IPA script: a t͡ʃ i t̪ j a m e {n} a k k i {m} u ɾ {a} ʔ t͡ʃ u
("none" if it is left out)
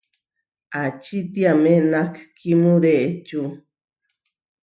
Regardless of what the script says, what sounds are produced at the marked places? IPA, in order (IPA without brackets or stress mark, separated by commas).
n, m, e